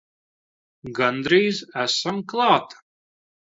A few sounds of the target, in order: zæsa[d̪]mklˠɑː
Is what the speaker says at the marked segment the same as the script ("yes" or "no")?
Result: no